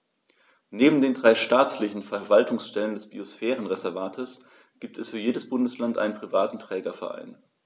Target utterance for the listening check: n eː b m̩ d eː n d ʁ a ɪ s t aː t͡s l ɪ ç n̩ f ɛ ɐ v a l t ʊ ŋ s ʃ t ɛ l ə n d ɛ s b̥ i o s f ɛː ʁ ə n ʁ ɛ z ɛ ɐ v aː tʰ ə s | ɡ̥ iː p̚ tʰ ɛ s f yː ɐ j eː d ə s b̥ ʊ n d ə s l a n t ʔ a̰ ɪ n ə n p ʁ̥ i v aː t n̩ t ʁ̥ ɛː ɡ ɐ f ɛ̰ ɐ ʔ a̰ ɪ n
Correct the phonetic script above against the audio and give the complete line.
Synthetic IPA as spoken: n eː b m̩ d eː n d ʁ a ɪ ʃ t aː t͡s l ɪ ç n̩ f ɛ ɐ v a l t ʊ ŋ s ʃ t ɛ l ə n d ɛ s b̥ i o s f ɛː ʁ ə n ʁ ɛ z ɛ ɐ v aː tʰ ə s | ɡ̥ iː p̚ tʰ ɛ s f yː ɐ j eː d ə s b̥ ʊ n d ə s l a n t ʔ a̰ ɪ n ə n p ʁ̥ i v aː t n̩ t ʁ̥ ɛː ɡ ɐ f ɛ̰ ɐ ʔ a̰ ɪ n